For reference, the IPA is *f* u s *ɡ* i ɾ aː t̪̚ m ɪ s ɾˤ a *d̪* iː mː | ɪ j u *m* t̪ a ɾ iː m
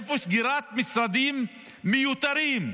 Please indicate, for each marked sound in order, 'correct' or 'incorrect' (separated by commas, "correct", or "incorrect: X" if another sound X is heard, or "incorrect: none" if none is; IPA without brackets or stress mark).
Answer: correct, correct, correct, incorrect: none